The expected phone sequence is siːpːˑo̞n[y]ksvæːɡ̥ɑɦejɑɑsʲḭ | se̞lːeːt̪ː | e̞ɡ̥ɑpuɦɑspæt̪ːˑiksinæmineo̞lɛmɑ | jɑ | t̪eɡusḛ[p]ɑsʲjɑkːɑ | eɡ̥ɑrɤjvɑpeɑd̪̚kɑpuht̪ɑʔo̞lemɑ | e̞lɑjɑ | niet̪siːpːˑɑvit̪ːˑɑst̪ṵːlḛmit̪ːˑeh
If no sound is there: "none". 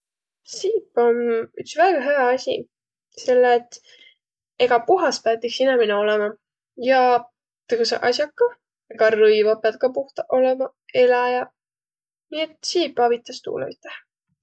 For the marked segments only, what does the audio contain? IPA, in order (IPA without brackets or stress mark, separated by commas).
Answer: y, ʔ